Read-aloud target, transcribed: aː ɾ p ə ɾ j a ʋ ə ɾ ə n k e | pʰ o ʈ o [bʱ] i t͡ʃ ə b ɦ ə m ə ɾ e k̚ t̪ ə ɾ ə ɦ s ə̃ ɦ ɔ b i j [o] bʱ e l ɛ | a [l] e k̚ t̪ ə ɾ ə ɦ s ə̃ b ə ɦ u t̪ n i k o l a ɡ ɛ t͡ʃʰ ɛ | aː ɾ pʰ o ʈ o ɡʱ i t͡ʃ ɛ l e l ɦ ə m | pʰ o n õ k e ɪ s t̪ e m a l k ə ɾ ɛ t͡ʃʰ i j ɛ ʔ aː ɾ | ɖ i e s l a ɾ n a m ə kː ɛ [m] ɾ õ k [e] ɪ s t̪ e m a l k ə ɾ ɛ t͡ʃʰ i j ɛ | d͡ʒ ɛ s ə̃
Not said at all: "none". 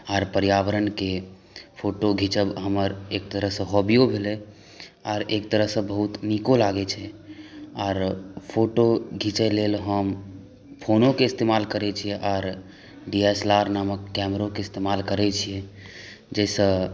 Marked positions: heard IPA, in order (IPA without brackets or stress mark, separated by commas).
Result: ɡʱ, o, ɾ, m, e